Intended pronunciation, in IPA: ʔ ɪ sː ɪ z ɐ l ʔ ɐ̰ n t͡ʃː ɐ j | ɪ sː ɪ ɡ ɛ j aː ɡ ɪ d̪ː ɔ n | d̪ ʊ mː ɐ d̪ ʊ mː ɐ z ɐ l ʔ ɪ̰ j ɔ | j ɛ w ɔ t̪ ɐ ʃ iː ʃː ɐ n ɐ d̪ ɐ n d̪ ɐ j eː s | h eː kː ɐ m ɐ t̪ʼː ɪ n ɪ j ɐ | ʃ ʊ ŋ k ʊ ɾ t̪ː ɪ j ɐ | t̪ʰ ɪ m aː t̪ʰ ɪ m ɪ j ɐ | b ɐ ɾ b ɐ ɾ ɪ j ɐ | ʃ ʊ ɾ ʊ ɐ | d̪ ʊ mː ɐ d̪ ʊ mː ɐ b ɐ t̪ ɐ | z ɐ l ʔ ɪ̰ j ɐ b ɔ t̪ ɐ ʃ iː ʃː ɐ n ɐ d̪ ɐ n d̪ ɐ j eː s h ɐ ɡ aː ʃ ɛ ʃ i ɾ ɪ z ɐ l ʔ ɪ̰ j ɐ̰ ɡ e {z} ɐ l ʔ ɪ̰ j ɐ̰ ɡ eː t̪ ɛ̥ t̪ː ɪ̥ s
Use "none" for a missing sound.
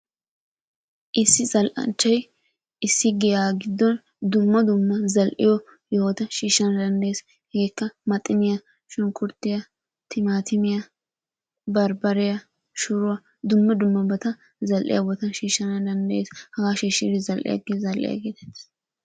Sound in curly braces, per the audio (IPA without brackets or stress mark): z